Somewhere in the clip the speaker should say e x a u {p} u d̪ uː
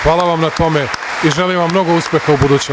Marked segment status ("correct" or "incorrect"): incorrect